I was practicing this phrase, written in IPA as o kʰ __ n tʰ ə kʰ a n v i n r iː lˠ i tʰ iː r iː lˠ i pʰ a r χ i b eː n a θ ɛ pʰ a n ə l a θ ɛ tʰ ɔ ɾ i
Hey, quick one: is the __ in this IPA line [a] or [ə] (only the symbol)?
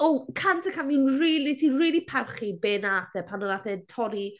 a